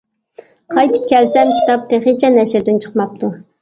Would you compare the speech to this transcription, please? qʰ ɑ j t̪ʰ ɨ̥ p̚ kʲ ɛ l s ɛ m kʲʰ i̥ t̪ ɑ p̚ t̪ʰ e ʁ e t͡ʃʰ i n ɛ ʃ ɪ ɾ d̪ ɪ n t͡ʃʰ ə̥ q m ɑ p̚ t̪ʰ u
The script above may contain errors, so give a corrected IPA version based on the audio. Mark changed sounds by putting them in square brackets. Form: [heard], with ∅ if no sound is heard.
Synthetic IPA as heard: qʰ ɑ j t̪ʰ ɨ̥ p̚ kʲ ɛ l s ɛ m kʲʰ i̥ t̪ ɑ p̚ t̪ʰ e [χ] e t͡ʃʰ [ɛ] n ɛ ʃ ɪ ɾ d̪ ɪ n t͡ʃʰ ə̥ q m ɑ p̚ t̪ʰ u